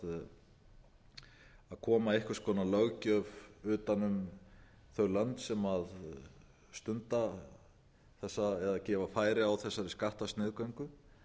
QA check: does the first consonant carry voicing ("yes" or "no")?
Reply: yes